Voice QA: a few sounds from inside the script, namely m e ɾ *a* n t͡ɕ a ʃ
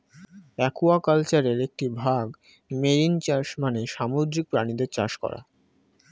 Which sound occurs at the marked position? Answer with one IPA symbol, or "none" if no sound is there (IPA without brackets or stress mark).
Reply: i